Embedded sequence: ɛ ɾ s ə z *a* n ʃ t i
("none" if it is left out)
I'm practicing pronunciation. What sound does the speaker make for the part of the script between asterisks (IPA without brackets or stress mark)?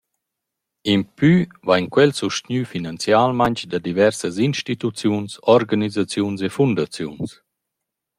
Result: i